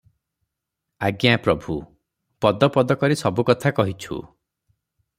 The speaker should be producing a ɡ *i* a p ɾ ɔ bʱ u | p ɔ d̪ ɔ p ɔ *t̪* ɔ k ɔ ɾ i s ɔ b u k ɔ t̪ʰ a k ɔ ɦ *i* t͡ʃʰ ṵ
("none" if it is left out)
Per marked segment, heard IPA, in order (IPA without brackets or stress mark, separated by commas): j, d̪, i